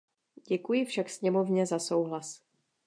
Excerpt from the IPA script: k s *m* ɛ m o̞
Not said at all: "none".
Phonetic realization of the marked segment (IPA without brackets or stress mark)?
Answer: ɲ